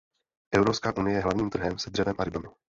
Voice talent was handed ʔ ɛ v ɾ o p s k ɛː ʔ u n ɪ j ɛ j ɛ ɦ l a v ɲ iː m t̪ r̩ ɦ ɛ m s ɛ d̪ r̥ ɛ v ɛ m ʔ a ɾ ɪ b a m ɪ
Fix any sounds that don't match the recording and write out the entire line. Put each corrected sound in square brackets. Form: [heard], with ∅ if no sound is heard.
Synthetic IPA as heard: ʔ ɛ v ɾ o p s k [aː] ʔ u n ɪ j ɛ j ɛ ɦ l a v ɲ iː m t̪ r̩ ɦ ɛ m s ɛ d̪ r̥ ɛ v ɛ m ʔ a ɾ ɪ b a m ɪ